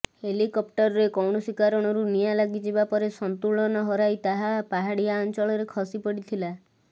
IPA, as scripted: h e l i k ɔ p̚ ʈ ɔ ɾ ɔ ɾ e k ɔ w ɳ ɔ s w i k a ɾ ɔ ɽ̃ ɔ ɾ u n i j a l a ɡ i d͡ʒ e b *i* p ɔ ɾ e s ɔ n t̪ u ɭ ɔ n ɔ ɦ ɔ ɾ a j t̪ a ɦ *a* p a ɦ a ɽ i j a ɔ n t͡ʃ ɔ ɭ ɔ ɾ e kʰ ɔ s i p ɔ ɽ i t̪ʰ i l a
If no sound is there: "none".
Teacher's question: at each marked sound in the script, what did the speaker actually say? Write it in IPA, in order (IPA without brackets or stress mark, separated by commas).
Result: a, a